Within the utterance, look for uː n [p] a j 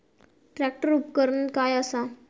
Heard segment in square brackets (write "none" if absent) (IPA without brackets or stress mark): k